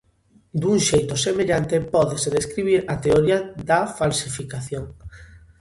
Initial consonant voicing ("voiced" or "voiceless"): voiced